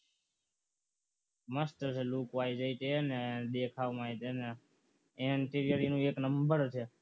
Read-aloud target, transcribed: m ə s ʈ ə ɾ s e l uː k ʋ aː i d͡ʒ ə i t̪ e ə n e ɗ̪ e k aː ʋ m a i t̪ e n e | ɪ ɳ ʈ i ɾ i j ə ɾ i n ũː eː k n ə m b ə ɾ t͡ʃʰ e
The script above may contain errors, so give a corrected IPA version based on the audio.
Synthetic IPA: m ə s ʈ ə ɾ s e l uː k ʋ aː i d͡ʒ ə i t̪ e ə n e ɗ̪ e kʰ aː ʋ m a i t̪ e n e | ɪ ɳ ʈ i ɾ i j ə ɾ i n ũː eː k n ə m b ə ɾ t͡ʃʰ e